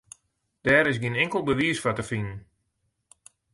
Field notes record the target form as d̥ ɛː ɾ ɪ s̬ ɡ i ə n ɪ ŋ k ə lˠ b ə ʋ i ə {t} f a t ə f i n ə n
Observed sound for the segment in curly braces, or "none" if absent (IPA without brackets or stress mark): s